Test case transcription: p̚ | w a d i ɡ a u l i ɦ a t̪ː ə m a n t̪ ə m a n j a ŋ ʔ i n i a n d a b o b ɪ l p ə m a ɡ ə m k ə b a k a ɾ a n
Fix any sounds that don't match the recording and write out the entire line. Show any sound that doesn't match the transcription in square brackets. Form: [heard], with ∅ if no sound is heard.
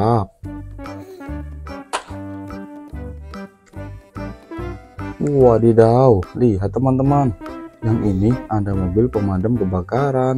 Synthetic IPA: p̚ | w a d i [d] a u l i ɦ a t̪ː ə m a n t̪ ə m a n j a ŋ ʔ i n i a n d a [m] o b ɪ l p ə m a [d] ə m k ə b a k a ɾ a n